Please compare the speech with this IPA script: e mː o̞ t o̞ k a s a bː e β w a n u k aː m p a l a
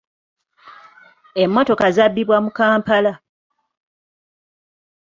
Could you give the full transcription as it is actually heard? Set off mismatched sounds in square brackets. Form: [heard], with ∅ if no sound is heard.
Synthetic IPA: e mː o̞ t o̞ k a [z] a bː [i] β w a [m] u k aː m p a l a